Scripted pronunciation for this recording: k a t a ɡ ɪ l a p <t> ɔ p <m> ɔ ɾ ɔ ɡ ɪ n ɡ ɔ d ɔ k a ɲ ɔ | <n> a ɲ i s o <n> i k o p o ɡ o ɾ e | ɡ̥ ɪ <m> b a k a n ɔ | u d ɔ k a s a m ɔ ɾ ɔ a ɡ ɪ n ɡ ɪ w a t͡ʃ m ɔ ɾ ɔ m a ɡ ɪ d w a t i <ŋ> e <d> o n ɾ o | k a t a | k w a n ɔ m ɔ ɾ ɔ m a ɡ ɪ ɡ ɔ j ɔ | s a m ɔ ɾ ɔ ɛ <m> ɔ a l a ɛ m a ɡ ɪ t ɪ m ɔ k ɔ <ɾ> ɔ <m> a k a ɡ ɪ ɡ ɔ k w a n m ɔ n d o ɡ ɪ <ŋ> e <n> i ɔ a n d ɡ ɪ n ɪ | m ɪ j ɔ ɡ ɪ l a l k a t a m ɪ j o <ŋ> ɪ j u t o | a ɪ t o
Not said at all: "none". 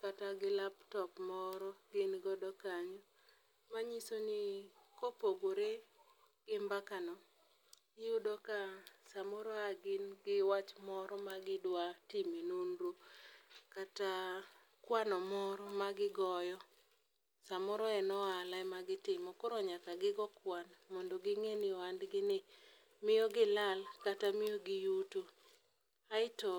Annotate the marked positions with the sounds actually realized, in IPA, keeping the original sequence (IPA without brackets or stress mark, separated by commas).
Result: t, m, m, n, m, m, n, n, ɾ, ɲ, ŋ, n, ɡ